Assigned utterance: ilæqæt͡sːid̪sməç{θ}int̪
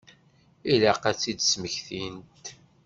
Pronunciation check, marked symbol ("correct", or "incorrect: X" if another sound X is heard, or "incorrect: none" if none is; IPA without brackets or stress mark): correct